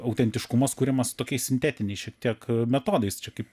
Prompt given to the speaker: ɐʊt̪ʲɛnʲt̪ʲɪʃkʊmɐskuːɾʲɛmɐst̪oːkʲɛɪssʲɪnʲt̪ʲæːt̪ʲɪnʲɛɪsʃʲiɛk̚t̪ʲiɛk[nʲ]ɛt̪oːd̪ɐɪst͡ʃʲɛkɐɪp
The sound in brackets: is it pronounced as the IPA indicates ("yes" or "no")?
no